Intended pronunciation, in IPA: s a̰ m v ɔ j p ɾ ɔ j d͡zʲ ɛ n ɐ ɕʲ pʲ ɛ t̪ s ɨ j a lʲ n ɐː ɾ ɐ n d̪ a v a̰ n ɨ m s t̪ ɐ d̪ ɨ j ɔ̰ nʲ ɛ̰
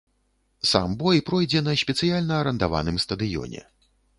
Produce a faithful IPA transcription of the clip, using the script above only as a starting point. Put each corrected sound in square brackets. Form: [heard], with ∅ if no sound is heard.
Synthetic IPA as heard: s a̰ m [b] ɔ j p ɾ ɔ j d͡zʲ ɛ n ɐ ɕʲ pʲ ɛ t̪ s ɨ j a lʲ n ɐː ɾ ɐ n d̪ a v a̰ n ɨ m s t̪ ɐ d̪ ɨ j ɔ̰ nʲ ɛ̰